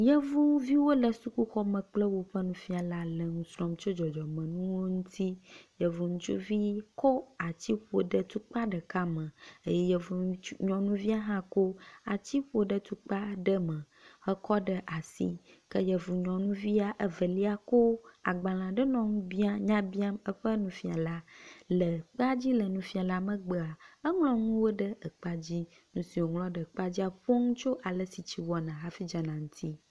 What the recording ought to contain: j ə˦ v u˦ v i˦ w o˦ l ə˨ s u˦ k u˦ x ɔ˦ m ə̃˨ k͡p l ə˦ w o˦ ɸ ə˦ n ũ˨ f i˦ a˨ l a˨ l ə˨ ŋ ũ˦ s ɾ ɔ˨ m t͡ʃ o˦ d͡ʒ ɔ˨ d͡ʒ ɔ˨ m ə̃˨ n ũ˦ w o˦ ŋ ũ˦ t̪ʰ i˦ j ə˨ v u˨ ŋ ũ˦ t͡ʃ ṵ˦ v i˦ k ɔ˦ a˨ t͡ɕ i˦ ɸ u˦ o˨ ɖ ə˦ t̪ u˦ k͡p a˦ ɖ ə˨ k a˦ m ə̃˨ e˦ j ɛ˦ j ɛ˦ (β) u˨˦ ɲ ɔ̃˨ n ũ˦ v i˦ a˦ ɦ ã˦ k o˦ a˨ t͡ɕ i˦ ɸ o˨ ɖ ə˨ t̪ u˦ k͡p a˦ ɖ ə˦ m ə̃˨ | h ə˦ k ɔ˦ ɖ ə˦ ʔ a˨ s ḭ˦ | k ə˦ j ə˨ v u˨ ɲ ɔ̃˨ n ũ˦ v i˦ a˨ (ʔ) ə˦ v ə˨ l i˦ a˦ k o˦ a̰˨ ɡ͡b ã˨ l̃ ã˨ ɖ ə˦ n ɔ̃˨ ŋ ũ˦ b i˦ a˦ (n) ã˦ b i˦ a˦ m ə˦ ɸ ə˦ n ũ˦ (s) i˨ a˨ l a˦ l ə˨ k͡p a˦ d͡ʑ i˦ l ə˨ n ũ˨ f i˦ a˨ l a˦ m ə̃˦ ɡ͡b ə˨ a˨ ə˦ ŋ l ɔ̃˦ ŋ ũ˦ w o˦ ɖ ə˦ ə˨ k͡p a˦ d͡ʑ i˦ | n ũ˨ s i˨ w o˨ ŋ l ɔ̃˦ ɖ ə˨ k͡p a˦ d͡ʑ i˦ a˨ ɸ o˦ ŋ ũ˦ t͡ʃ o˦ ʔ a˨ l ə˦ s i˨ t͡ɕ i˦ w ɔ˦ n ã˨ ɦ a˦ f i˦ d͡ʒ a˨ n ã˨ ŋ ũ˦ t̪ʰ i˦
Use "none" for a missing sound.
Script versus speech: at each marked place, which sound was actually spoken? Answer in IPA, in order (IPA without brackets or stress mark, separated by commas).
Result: v, ʔ, ɲ, f